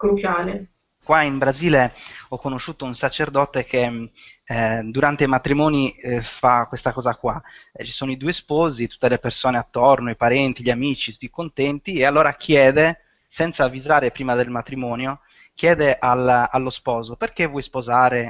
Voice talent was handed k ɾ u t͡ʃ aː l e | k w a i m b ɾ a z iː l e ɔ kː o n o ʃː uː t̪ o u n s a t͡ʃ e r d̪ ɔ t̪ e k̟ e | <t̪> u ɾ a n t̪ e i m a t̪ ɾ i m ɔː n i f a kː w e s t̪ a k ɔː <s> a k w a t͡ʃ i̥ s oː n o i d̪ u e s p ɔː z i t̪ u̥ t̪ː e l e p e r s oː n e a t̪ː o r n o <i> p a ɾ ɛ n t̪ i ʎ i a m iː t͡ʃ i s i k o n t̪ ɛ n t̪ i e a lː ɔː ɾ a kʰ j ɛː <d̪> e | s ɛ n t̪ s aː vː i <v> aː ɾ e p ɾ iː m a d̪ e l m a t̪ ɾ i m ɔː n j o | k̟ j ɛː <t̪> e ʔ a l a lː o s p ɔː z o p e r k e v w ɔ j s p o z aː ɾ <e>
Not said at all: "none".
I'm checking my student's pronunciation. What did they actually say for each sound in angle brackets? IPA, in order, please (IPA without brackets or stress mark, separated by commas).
d̪, z, i, d̪, z, d̪, e